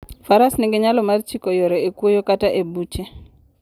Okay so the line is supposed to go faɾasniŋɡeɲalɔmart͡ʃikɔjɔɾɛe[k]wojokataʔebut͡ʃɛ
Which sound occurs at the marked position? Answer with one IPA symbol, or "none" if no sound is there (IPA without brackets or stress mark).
k